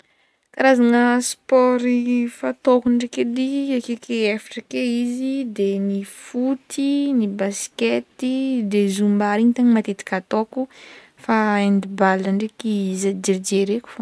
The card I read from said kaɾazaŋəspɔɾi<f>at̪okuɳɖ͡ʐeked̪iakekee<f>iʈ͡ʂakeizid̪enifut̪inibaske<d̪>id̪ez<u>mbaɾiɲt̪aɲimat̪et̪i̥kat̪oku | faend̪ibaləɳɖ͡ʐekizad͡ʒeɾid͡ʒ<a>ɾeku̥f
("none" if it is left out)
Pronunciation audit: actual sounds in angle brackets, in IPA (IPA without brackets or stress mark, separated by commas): f, f, t̪, u, e